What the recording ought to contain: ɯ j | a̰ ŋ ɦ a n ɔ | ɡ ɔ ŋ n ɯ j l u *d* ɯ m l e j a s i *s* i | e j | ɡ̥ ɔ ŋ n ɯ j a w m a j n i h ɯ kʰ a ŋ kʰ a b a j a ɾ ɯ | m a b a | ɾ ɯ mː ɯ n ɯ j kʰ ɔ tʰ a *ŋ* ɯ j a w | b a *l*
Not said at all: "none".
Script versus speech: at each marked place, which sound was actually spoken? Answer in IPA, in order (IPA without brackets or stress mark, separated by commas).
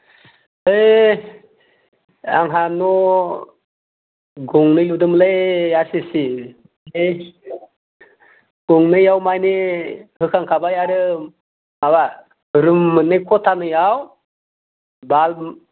d, s, n, l